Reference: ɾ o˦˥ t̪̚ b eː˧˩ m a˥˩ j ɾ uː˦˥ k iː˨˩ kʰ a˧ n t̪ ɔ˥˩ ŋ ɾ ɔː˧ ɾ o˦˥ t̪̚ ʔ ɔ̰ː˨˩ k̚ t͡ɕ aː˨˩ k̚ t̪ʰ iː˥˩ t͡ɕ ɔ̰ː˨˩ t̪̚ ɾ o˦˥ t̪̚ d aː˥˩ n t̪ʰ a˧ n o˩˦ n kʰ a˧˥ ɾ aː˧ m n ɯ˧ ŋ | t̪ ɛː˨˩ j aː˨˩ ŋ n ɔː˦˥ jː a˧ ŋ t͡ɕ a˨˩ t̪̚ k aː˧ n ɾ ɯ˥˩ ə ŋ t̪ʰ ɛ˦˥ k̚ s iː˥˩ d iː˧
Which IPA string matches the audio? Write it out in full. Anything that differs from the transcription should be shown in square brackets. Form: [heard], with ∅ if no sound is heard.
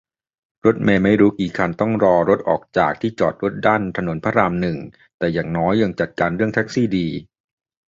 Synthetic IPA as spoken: ɾ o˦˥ t̪̚ [m] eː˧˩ m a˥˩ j ɾ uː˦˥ k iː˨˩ kʰ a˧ n t̪ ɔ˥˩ ŋ ɾ ɔː˧ ɾ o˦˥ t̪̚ ʔ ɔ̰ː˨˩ k̚ t͡ɕ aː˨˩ k̚ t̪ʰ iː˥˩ t͡ɕ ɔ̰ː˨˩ t̪̚ ɾ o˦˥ t̪̚ d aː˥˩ n t̪ʰ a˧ n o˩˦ n [pʰ] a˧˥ ɾ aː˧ m n [ɯ˨˩] ŋ | t̪ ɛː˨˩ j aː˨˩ ŋ n ɔː˦˥ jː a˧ ŋ t͡ɕ a˨˩ t̪̚ k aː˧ n ɾ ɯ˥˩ ə ŋ t̪ʰ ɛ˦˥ k̚ s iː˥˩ d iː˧